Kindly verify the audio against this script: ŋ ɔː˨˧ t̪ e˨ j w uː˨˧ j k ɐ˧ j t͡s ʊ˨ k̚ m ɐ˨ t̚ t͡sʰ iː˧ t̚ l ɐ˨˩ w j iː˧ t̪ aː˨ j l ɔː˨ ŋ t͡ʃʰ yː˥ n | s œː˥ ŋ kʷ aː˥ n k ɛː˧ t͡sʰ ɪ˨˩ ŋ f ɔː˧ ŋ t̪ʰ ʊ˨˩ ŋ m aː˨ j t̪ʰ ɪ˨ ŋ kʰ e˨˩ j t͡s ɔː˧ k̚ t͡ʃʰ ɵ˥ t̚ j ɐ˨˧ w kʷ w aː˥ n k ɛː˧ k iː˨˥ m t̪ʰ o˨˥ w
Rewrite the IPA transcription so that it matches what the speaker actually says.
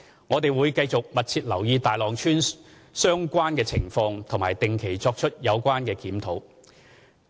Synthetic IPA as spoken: ŋ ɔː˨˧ t̪ e˨ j w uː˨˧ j k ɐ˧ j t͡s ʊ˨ k̚ m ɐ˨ t̚ t͡sʰ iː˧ t̚ l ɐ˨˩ w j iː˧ t̪ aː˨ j l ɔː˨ ŋ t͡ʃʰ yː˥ n | s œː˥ ŋ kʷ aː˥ n k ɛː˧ t͡sʰ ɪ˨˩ ŋ f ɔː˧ ŋ t̪ʰ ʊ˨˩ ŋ m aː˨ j t̪ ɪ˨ ŋ kʰ e˨˩ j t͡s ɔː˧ k̚ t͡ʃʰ ɵ˥ t̚ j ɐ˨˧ w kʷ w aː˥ n k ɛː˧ k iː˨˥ m t̪ʰ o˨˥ w

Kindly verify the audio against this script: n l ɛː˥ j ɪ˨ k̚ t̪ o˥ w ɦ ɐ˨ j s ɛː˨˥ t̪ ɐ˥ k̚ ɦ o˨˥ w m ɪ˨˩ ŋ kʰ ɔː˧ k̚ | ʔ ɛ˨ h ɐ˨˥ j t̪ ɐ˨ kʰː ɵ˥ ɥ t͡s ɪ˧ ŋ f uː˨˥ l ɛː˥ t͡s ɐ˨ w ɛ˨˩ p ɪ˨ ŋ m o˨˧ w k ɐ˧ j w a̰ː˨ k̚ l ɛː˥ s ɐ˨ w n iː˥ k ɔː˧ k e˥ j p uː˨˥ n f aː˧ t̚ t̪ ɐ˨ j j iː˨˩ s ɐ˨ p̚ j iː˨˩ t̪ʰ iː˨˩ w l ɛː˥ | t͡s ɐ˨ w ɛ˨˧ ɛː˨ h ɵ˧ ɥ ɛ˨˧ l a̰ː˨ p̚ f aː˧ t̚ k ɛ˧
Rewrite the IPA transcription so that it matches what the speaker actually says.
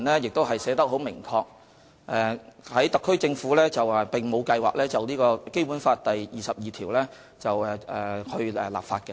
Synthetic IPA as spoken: n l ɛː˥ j ɪ˨ k̚ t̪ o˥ w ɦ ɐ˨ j s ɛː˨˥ t̪ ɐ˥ k̚ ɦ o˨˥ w m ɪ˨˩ ŋ kʰ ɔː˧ k̚ | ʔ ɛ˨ h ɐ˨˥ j t̪ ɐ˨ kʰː ɵ˥ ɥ t͡s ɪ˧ ŋ f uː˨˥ l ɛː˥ t͡s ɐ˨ w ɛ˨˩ p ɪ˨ ŋ m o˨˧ w k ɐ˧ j w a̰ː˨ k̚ l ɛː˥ t͡s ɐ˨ w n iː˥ k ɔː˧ k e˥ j p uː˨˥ n f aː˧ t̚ t̪ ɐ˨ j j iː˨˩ s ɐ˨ p̚ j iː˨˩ t̪ʰ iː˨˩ w l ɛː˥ | t͡s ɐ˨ w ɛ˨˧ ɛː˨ h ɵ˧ ɥ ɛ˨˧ l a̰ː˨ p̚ f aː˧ t̚ k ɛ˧

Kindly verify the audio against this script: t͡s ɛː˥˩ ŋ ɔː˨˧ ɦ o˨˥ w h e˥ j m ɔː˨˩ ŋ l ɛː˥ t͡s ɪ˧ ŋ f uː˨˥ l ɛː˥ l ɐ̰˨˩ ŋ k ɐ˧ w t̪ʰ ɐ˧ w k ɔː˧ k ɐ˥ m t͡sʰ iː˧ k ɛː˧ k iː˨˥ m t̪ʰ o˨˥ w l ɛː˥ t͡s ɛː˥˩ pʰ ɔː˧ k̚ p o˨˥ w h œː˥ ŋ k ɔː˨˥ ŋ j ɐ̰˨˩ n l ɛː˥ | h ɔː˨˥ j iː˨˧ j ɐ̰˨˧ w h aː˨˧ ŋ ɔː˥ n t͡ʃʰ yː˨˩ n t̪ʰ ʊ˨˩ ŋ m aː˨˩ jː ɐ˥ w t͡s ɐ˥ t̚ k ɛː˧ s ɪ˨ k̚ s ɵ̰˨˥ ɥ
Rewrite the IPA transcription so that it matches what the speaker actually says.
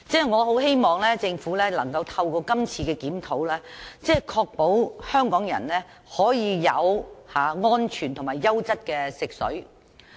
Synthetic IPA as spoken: t͡s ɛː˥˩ ŋ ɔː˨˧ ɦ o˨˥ w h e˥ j m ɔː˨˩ ŋ l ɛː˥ t͡s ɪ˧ ŋ f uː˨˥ l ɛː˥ l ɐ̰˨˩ ŋ k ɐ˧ w t̪ʰ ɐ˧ w k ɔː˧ k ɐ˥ m t͡sʰ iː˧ k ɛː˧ k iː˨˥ m t̪ʰ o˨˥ w l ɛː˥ t͡s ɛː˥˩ kʰ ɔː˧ k̚ p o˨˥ w h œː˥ ŋ k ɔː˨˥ ŋ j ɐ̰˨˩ n l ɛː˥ | h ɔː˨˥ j iː˨˧ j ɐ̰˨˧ w h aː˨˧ ŋ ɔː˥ n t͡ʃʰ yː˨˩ n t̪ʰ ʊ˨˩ ŋ m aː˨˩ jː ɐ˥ w t͡s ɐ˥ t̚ k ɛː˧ s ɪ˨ k̚ s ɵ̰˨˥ ɥ

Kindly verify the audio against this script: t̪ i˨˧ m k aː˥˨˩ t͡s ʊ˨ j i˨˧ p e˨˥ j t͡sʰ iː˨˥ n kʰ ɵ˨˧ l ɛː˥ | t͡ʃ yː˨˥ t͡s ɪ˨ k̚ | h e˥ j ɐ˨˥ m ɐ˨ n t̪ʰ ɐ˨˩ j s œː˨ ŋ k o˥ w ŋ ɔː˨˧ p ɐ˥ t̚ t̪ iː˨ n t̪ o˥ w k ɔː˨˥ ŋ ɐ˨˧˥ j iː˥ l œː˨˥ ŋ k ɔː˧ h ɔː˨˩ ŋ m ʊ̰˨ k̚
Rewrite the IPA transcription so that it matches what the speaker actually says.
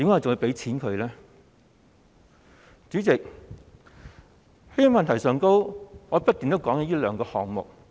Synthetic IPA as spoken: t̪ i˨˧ m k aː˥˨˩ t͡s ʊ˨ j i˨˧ p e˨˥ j t͡sʰ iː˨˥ n kʰ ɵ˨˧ l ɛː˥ | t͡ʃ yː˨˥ t͡s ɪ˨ k̚ | h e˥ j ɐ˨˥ m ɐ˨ n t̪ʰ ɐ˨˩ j s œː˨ ŋ k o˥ w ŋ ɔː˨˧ p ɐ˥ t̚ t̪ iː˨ n t̪ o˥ w k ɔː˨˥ ŋ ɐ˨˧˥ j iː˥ l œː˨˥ ŋ k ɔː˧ h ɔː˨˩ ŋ m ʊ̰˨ k̚

